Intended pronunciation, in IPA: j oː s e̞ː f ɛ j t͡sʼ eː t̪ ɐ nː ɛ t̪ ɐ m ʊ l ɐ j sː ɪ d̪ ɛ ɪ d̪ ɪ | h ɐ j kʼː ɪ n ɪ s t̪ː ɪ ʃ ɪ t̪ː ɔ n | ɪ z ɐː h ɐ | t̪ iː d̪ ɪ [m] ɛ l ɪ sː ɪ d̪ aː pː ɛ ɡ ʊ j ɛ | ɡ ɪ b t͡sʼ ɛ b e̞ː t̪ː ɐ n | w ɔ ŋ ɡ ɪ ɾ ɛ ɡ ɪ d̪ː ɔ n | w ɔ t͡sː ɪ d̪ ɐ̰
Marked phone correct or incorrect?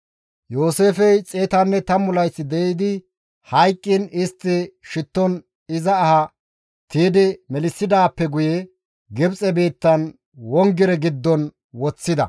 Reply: correct